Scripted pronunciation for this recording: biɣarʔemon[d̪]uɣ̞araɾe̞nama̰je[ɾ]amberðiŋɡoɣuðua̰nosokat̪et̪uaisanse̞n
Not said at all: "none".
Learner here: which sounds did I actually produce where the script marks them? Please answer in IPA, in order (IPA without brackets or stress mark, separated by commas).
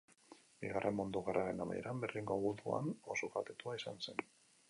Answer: d̪, ɾ